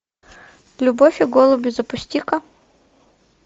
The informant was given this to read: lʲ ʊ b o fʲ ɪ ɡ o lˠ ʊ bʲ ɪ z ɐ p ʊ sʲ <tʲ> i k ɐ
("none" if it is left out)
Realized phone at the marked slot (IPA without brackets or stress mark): tʲ